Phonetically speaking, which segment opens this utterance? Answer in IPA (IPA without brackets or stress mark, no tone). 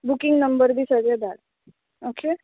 b